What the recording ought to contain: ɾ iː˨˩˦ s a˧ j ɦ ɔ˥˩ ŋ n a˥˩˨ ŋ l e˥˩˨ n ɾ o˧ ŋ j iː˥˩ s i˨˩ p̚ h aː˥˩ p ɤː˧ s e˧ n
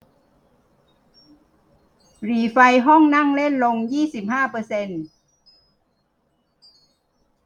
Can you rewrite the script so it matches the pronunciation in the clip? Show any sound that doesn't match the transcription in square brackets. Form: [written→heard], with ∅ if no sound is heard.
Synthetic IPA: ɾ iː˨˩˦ [s→f] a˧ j ɦ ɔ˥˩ ŋ n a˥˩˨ ŋ l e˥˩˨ n [ɾ→l] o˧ ŋ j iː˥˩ s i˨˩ p̚ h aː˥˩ p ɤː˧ s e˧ n